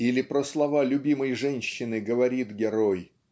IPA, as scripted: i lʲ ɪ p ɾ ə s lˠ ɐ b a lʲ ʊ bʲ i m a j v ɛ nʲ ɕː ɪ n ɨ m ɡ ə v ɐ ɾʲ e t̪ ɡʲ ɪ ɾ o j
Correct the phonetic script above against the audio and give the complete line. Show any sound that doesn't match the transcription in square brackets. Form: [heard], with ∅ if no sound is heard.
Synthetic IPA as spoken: i lʲ ɪ p ɾ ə s lˠ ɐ [v] a lʲ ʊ bʲ i m [ə] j [ʐ] ɛ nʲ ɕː ɪ n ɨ [∅] ɡ ə v ɐ ɾʲ [i] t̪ ɡʲ ɪ ɾ o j